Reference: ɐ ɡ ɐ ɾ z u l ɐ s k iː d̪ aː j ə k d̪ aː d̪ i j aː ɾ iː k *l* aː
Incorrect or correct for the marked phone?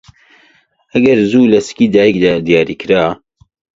incorrect: ɾ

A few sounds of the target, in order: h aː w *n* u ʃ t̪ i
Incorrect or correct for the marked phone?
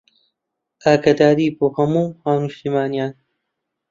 correct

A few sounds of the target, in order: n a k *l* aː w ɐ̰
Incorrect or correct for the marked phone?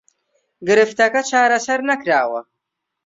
incorrect: ɾ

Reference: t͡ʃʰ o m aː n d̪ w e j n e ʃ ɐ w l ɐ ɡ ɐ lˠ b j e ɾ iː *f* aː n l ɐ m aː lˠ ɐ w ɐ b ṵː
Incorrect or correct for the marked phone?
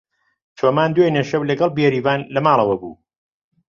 incorrect: v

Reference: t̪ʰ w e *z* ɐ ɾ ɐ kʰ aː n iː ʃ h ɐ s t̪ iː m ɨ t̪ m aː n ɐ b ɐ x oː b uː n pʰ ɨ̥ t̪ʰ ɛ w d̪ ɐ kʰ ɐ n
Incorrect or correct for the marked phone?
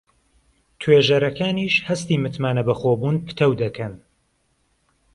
incorrect: ʒ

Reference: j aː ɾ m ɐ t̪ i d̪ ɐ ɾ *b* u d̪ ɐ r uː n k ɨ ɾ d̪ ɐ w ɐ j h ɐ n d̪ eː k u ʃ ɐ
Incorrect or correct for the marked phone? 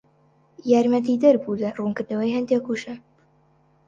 correct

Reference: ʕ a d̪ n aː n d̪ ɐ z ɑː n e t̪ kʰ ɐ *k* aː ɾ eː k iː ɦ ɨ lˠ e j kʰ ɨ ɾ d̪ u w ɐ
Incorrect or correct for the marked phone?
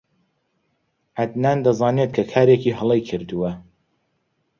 incorrect: kʰ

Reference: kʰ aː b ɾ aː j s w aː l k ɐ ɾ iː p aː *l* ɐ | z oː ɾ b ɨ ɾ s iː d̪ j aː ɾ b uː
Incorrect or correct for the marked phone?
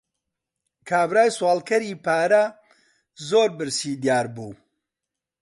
incorrect: ɾ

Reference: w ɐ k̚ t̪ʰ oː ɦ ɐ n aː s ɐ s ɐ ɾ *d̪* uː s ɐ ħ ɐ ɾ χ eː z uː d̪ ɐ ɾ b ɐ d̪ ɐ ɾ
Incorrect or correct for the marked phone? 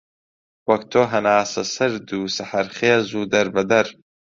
correct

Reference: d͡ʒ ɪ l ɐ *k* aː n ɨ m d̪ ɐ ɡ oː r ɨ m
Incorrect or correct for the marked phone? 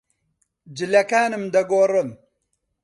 correct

